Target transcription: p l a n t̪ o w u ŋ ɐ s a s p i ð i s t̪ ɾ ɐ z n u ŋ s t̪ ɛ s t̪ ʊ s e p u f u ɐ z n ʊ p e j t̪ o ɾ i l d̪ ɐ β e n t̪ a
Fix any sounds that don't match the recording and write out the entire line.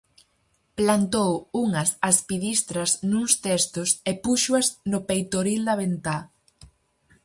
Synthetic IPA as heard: p l a n t̪ o w u ŋ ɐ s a s p i ð i s t̪ ɾ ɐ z n u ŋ s t̪ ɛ s t̪ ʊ s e p u ʃ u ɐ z n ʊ p e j t̪ o ɾ i l d̪ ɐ β e n t̪ a